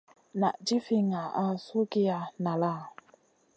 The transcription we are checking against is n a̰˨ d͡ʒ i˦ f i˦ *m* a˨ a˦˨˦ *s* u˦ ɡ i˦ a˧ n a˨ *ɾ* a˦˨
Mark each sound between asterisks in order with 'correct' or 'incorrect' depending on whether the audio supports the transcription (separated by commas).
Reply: incorrect, correct, incorrect